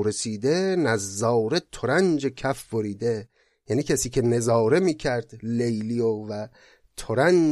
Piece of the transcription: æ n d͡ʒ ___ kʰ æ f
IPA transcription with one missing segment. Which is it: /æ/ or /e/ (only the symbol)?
e